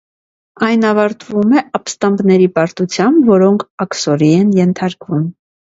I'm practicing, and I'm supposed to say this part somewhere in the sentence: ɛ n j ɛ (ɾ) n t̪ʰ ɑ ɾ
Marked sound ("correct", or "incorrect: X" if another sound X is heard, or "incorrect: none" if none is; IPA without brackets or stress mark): incorrect: none